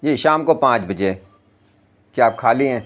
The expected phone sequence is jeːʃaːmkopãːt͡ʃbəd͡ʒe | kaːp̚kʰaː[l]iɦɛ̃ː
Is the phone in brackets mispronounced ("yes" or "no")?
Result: no